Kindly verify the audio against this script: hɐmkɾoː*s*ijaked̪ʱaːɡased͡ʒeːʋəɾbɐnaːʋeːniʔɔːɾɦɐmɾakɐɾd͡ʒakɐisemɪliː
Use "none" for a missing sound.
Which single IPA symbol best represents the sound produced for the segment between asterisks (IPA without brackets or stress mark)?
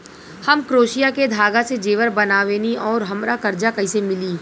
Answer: ʃ